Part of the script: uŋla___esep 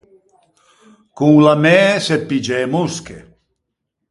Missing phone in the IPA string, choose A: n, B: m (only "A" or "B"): B